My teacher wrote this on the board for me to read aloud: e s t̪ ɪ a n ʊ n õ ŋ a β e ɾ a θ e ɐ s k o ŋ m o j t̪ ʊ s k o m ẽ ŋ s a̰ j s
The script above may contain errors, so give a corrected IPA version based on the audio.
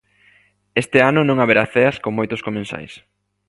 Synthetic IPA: e s t̪ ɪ a n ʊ n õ ŋ a β e ɾ a θ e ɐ s k o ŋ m o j t̪ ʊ s k o m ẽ n s a̰ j s